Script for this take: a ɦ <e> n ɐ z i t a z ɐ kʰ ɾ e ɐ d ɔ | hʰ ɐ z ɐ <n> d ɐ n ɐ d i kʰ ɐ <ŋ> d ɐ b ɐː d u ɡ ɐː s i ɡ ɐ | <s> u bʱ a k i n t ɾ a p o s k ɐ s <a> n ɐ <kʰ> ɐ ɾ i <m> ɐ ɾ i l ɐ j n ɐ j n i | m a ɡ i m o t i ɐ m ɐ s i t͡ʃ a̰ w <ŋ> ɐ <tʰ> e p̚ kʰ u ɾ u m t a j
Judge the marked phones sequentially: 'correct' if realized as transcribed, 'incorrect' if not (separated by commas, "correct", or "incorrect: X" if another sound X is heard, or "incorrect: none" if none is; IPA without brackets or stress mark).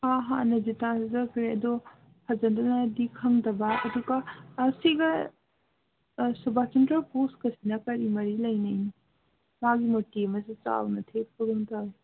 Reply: incorrect: a, correct, correct, correct, incorrect: i, incorrect: k, correct, incorrect: n, correct